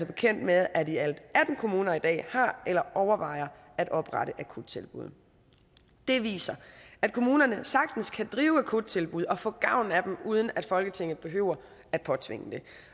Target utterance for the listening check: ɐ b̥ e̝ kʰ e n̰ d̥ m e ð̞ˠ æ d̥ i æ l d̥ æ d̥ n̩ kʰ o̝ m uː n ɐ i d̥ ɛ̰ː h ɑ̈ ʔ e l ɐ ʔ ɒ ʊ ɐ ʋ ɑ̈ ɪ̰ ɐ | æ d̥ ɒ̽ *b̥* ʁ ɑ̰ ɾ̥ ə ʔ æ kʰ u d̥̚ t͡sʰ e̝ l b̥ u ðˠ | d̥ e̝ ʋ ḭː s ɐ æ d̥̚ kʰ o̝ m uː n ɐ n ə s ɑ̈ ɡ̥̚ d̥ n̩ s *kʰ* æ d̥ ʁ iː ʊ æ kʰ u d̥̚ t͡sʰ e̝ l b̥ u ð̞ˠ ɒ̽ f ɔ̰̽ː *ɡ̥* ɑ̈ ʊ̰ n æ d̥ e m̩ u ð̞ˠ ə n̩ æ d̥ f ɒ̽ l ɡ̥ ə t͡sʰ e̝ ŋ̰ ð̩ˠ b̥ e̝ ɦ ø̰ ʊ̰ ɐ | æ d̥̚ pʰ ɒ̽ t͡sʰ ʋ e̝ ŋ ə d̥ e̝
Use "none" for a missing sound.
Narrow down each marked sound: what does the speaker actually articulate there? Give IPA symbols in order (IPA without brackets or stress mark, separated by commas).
b̥, kʰ, ɡ̥